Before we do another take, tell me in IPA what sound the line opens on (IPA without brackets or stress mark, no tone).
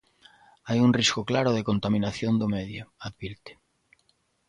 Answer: a